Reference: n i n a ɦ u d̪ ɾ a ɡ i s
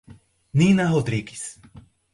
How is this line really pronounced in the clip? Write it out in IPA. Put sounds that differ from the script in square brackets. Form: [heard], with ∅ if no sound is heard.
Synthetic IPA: n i n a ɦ [o] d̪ ɾ [i] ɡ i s